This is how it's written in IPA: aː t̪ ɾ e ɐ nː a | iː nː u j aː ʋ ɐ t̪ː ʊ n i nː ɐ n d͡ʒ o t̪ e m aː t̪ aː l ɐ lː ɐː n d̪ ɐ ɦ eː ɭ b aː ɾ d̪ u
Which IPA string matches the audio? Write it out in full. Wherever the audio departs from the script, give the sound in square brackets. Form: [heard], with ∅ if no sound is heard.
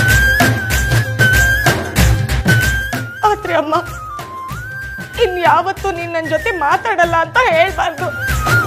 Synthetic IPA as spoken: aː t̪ ɾ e ɐ [mː] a | [i] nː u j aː ʋ ɐ t̪ː [u] n i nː ɐ n d͡ʒ o t̪ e m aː t̪ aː [ɽ] ɐ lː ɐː n [t̪] ɐ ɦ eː ɭ b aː ɾ d̪ u